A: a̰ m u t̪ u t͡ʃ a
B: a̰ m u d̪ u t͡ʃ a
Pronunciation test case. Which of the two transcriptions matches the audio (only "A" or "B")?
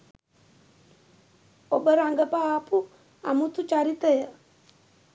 A